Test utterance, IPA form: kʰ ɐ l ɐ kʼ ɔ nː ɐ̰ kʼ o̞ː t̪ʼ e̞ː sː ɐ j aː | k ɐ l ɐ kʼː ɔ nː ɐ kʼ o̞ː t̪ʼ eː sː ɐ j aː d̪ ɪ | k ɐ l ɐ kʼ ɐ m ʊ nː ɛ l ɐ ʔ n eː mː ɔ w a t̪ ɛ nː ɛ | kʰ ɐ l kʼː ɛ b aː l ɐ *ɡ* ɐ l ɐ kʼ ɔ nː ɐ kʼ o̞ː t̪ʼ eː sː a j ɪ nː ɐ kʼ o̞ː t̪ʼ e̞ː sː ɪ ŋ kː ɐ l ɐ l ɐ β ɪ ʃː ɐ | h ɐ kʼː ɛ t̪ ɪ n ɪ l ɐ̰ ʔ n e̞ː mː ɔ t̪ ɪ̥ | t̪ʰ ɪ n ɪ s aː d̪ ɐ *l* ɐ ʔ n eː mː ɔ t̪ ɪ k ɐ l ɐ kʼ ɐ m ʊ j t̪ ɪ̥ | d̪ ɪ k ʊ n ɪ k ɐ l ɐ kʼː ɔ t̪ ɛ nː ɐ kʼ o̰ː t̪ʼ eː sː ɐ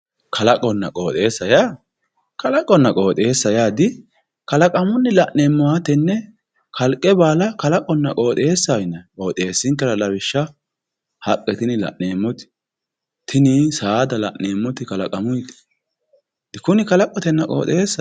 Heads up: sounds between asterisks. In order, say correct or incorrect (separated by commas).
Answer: incorrect, correct